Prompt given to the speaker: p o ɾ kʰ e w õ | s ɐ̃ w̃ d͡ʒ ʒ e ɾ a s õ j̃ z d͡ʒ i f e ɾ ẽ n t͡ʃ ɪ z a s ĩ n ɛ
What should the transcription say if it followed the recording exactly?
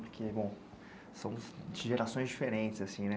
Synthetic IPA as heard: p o ɾ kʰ e b õ | s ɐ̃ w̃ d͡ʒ ʒ e ɾ a s õ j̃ z d͡ʒ i f e ɾ ẽ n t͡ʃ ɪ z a s ĩ n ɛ